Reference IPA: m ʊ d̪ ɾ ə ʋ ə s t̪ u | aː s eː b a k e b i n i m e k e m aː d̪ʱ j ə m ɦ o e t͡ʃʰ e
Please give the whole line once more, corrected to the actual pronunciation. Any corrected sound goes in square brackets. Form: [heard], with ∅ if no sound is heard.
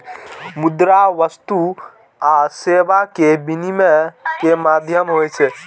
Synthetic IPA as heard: m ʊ d̪ ɾ [a] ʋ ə s t̪ u | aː s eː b a k e b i n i m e k e m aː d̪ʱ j ə m ɦ o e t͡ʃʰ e